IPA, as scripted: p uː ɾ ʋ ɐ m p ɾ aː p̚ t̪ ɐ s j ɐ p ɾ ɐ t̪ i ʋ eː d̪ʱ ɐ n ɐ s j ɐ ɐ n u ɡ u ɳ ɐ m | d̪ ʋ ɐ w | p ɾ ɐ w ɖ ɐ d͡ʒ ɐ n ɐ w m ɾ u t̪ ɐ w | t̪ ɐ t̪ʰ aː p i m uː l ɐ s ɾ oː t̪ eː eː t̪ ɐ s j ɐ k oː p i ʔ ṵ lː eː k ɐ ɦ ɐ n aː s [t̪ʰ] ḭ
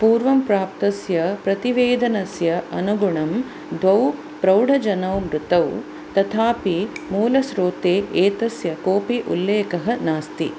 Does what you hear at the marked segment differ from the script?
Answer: yes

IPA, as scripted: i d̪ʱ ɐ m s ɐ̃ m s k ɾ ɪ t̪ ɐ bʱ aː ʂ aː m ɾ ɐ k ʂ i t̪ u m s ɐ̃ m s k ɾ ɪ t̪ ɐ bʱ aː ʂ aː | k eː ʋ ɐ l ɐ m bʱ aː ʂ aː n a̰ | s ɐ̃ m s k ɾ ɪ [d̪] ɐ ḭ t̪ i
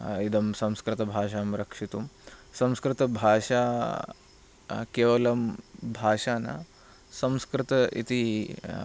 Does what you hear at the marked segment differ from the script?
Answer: yes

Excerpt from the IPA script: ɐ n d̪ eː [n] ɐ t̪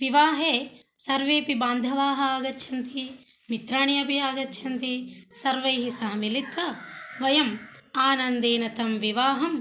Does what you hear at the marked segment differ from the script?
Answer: no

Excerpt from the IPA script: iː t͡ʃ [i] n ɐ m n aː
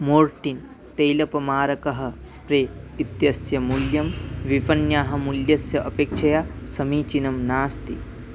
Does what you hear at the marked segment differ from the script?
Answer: no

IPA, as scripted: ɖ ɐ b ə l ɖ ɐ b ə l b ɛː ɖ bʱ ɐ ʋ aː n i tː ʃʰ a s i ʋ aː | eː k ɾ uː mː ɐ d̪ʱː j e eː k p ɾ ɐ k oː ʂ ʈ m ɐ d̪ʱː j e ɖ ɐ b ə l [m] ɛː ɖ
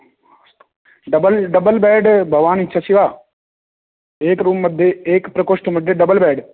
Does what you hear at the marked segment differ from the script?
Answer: yes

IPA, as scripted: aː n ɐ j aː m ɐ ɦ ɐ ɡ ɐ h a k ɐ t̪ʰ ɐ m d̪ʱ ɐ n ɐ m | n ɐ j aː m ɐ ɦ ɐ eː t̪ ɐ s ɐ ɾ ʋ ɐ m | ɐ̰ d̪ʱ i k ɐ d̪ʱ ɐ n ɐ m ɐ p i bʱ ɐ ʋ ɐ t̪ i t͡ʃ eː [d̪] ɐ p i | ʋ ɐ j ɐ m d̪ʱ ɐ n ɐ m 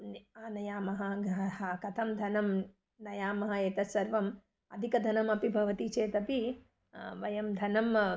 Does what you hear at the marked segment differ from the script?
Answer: yes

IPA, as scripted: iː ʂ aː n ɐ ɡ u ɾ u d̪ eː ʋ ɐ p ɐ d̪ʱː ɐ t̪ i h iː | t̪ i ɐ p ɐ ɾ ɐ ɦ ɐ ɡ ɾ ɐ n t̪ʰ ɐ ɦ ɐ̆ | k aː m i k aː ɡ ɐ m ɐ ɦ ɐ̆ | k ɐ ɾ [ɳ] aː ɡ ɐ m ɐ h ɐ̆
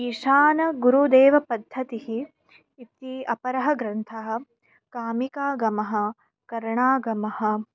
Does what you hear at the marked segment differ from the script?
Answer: no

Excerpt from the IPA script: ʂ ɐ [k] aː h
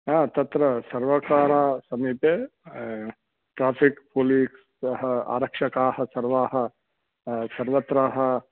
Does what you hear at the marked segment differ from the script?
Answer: no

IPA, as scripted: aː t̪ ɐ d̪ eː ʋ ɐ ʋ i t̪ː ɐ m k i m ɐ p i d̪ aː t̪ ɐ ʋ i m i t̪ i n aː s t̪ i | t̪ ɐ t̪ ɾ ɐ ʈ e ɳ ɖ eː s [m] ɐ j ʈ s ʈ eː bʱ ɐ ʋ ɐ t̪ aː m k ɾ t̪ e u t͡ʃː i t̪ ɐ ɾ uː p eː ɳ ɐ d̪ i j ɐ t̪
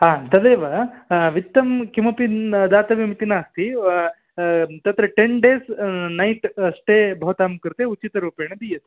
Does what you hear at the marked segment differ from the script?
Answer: yes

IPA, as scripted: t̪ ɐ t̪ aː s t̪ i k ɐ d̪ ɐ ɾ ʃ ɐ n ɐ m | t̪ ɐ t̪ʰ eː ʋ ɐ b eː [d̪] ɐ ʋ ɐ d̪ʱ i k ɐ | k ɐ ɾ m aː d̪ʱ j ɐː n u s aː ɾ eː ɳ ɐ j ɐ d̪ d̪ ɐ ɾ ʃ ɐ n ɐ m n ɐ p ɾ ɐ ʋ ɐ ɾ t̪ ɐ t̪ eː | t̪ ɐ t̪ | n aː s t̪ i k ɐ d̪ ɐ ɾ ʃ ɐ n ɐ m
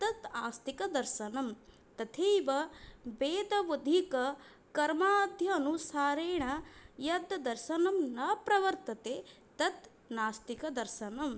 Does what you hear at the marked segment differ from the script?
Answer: no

